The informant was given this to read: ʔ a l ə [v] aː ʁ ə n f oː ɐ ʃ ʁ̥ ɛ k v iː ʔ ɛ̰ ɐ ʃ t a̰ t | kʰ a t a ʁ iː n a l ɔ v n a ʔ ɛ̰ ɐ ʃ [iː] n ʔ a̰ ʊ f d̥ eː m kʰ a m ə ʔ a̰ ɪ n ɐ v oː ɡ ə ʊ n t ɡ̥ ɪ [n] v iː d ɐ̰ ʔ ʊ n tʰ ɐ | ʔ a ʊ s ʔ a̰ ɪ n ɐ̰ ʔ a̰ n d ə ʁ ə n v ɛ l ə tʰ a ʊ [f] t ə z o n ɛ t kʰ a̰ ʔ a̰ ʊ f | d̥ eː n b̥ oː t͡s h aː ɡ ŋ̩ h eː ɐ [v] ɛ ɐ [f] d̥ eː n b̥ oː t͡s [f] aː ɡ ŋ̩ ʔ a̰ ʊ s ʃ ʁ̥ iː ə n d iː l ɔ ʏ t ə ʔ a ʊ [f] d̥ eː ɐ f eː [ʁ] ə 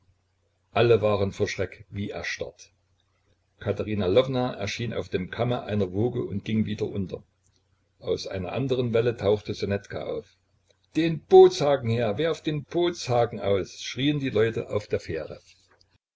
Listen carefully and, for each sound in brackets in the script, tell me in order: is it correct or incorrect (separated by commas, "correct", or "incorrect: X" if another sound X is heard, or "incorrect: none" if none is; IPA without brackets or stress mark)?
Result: correct, correct, incorrect: ŋ, incorrect: x, correct, correct, incorrect: h, correct, correct